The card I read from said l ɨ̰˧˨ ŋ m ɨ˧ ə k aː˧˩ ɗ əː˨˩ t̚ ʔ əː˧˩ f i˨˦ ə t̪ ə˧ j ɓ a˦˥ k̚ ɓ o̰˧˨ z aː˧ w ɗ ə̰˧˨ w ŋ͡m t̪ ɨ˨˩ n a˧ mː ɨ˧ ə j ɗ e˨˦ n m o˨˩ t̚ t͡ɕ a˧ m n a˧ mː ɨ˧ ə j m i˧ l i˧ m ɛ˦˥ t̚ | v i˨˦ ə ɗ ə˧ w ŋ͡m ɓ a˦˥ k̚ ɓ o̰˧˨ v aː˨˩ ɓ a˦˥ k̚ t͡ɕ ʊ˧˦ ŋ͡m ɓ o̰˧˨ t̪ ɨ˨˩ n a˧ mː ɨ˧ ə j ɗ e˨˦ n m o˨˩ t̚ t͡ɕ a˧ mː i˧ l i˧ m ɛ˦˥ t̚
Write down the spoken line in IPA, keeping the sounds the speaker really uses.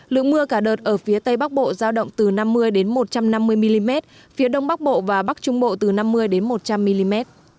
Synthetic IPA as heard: l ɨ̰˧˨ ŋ m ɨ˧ ə k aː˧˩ ɗ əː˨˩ t̚ ʔ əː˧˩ f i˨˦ ə t̪ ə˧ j ɓ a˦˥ k̚ ɓ o̰˧˨ z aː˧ w ɗ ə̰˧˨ w ŋ͡m t̪ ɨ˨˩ n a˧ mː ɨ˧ ə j ɗ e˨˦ n m o˨˩ t̚ t͡ɕ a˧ m n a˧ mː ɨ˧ ə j m i˧ l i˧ m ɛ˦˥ t̚ | f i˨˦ ə ɗ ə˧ w ŋ͡m ɓ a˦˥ k̚ ɓ o̰˧˨ v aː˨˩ ɓ a˦˥ k̚ t͡ɕ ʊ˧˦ ŋ͡m ɓ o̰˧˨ t̪ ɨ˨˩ n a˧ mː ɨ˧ ə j ɗ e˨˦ n m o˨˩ t̚ t͡ɕ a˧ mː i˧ l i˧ m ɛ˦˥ t̚